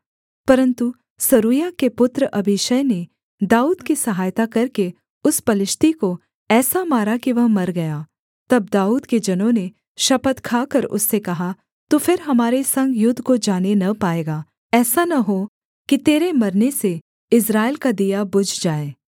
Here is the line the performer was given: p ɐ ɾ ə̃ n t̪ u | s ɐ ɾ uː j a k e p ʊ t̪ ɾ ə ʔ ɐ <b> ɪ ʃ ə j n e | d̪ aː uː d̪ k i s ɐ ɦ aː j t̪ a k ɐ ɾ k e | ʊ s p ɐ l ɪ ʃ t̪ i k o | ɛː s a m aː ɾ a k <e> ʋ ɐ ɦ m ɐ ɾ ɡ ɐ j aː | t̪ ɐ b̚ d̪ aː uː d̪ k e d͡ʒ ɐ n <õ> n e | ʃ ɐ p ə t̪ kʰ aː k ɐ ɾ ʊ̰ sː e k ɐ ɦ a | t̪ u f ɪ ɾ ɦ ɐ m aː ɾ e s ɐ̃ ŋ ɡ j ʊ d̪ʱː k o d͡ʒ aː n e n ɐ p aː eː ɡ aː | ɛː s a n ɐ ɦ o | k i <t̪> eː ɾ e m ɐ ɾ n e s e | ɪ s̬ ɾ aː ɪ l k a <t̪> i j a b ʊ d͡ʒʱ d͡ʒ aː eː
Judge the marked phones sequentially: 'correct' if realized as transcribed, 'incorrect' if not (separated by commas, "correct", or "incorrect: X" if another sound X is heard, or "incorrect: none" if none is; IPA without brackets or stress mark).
correct, incorrect: i, correct, correct, incorrect: d̪